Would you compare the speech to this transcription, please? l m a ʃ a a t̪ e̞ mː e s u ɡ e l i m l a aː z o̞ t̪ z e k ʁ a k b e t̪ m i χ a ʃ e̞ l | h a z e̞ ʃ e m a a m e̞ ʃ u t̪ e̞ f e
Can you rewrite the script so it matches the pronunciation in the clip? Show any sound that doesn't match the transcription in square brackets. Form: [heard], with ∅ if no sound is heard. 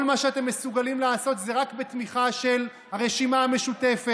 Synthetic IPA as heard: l m a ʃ [e] a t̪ e̞ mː e s u ɡ [a] l i m l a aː [s] o̞ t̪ z e [∅] ʁ a k b e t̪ m i χ a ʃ e̞ l | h a [ʁ] e̞ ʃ [i] m a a m e̞ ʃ u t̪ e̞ f e